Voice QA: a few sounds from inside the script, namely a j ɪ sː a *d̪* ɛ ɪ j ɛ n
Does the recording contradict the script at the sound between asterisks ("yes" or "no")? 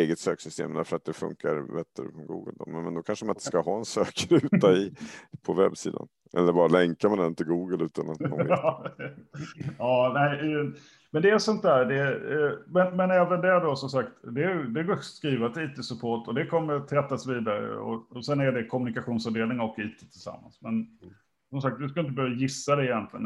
no